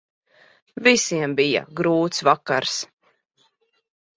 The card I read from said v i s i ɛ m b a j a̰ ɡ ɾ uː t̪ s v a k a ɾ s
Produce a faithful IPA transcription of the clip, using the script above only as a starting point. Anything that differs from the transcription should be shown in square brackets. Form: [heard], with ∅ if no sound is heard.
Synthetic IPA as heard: v i s i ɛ m b [i] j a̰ ɡ ɾ uː t̪ s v a k a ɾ s